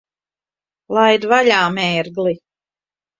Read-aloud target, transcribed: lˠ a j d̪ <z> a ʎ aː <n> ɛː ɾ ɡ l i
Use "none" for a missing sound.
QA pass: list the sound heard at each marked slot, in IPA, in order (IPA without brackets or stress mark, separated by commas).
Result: v, m